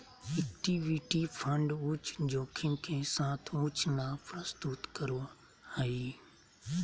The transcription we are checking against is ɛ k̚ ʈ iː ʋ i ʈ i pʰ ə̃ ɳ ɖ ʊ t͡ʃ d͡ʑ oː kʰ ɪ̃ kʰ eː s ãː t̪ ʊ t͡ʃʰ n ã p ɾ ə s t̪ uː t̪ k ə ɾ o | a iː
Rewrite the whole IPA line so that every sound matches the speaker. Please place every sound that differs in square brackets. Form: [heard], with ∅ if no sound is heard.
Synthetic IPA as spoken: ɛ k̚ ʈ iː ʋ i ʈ i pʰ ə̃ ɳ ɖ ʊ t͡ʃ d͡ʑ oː kʰ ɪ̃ kʰ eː s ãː [t̪ʰ] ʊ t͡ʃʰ n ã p ɾ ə s t̪ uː t̪ k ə ɾ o | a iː

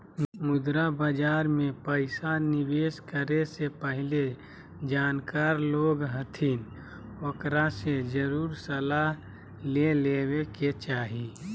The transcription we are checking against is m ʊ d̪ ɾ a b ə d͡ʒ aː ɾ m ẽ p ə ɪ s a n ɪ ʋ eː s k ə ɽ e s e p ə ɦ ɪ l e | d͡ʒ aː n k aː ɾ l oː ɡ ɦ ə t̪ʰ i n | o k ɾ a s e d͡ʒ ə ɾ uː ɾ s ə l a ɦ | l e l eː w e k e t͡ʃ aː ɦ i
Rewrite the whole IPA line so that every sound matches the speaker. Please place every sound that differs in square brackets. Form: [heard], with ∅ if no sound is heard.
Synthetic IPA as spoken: m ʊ d̪ ɾ a b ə d͡ʒ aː ɾ m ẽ p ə ɪ s a n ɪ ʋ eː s k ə [ɾ] e s e p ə ɦ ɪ l e | d͡ʒ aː n k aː ɾ l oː ɡ ɦ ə t̪ʰ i n | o k ɾ a s e d͡ʒ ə ɾ uː ɾ s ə l a ɦ | l e l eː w e k e t͡ʃ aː ɦ i

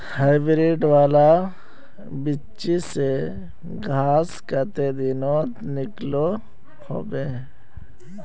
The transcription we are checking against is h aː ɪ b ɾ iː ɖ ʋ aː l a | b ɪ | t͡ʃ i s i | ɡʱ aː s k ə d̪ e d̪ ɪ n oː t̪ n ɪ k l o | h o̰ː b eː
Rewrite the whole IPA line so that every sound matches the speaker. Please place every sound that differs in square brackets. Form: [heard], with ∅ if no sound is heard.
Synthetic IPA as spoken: h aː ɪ b ɾ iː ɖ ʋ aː l a | b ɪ | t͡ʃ i s [e] | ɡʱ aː s k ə [t̪] e d̪ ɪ n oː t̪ n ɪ k l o | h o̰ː b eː

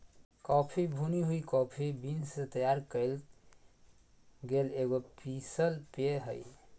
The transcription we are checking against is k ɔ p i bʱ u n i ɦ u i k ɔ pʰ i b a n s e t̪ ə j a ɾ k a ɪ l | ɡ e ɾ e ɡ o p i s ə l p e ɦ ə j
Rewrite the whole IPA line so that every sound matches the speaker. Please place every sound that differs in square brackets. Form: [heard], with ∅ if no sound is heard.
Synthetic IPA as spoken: k ɔ [pʰ] i bʱ u n i ɦ u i k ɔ pʰ i b [i] n s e t̪ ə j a ɾ k [ə] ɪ l | ɡ e [l] e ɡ o p i s ə l p e ɦ ə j

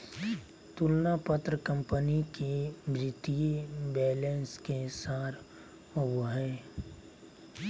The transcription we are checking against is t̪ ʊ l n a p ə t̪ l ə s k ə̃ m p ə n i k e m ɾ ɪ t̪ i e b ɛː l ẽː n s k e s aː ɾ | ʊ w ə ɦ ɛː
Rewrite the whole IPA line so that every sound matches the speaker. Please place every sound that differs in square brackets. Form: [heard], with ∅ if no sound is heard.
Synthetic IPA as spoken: t̪ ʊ l n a p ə t̪ [ɾ] ə [∅] k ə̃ m p ə n i k e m ɾ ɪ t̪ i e b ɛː l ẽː n s k e s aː ɾ | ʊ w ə ɦ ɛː

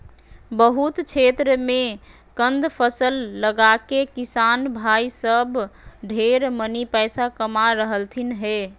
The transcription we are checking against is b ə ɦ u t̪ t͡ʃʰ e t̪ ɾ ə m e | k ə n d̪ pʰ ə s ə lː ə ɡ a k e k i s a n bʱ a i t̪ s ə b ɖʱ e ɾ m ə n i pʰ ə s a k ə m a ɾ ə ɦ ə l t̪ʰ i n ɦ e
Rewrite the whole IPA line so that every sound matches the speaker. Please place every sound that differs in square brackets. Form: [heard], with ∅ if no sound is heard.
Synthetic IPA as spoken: b ə ɦ u t̪ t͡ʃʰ e t̪ ɾ ə m e | k ə n d̪ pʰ ə s ə lː ə ɡ a k e k i s a n bʱ a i [∅] s ə b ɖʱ e ɾ m ə n i [p] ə s a k ə m a ɾ ə ɦ ə l t̪ʰ i n ɦ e

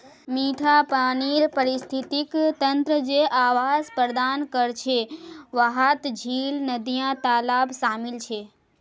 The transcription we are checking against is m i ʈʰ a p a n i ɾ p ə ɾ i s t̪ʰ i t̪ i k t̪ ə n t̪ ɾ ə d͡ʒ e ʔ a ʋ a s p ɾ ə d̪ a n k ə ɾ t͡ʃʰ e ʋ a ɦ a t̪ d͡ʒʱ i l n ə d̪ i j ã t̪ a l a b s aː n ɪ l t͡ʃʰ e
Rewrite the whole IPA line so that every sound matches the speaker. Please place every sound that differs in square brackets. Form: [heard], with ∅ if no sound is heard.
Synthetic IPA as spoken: m i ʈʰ a p a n i ɾ p ə ɾ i s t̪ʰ i t̪ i k t̪ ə n t̪ ɾ ə d͡ʒ e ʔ a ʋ a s p ɾ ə d̪ a n k ə ɾ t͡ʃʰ e ʋ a ɦ a t̪ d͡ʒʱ i l n ə d̪ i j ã t̪ a l a b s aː [m] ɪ l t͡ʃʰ e

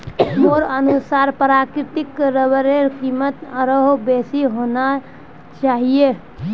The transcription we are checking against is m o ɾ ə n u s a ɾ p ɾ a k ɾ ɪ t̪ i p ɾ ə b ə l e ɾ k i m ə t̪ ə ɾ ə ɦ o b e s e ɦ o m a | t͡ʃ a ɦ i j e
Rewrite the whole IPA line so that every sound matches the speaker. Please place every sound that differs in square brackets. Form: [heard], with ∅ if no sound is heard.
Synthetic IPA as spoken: m o ɾ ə n u s a ɾ p ɾ a k ɾ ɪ t̪ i [k] ɾ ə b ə [ɾ] e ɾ k i m ə t̪ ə ɾ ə ɦ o b e s [i] ɦ o [n] a | t͡ʃ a ɦ i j e

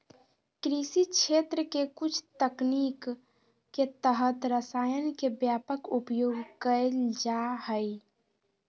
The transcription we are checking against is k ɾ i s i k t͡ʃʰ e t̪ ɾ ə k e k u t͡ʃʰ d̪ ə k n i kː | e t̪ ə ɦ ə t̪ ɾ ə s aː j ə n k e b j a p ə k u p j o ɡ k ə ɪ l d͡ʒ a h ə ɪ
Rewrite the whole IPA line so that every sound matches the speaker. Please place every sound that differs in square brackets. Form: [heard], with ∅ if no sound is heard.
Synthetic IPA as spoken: k ɾ i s i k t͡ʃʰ e t̪ ɾ ə k e k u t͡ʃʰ [t̪] ə k n i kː | e t̪ ə ɦ ə t̪ ɾ ə s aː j ə n k e b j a p ə k u p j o ɡ k ə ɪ l d͡ʒ a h ə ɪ

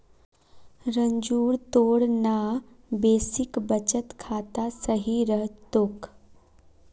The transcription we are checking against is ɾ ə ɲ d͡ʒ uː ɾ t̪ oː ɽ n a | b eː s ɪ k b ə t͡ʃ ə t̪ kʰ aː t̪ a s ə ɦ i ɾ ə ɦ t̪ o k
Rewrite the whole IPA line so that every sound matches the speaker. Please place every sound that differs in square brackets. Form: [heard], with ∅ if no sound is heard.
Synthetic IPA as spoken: ɾ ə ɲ d͡ʒ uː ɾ t̪ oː ɽ n a | b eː s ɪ k b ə t͡ʃ ə t̪ kʰ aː t̪ a s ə ɦ i ɾ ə ɦ t̪ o k

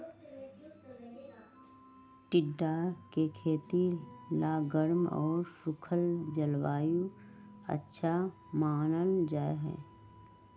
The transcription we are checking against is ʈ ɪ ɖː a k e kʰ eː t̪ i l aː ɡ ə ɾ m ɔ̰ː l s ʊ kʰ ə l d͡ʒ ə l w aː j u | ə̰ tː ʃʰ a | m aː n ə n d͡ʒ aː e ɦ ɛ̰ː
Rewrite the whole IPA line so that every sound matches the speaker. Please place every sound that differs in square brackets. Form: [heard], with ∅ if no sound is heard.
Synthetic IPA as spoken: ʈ ɪ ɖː a k e kʰ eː t̪ i l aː ɡ ə ɾ m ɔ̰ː [ɾ] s ʊ kʰ ə l d͡ʒ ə l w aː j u | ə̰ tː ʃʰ a | m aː n ə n d͡ʒ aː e ɦ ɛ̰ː

